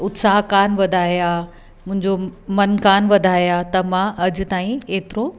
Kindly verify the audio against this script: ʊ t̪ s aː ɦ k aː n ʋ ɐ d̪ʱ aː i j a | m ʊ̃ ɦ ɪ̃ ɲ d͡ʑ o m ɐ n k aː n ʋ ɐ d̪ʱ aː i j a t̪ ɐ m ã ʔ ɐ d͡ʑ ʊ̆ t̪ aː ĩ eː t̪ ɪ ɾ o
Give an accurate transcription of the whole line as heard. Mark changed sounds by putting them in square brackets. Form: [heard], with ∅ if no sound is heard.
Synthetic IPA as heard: ʊ t̪ s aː ɦ k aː n ʋ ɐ d̪ʱ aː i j a | m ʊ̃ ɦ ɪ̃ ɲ d͡ʑ o m ɐ n k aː n ʋ ɐ d̪ʱ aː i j a t̪ ɐ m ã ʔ ɐ d͡ʑ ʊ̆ t̪ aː ĩ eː t̪ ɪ ɾ o